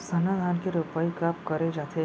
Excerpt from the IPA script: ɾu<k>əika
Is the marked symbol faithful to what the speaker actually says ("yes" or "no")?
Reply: no